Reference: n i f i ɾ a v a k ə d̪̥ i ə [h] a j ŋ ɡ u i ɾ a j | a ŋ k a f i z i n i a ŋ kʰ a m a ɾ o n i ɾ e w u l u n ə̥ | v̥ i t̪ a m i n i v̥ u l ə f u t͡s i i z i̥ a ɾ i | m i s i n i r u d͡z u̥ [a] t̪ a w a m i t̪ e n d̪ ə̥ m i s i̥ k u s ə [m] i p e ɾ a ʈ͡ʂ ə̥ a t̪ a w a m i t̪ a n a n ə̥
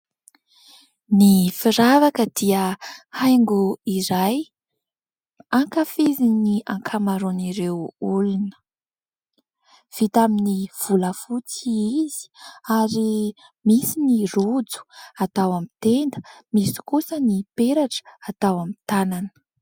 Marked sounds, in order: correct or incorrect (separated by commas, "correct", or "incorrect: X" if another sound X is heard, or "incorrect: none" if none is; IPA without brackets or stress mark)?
correct, correct, incorrect: n